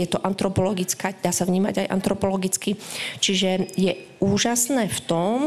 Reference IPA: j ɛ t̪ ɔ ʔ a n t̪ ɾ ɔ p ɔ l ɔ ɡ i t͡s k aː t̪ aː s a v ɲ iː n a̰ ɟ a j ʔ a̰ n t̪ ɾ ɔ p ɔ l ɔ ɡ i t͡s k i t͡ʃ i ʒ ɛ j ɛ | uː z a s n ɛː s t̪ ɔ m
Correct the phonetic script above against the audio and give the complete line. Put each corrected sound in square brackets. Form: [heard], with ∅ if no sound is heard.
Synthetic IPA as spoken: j ɛ t̪ ɔ ʔ a n t̪ ɾ ɔ p ɔ l ɔ ɡ i t͡s k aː [d̪] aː s a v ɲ iː [m] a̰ ɟ a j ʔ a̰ n t̪ ɾ ɔ p ɔ l ɔ ɡ i t͡s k i t͡ʃ i ʒ ɛ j ɛ | uː [ʒ] a s n ɛː [f] t̪ ɔ m